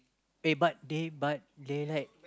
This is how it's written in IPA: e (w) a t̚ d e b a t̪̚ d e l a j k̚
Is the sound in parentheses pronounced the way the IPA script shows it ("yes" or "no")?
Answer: no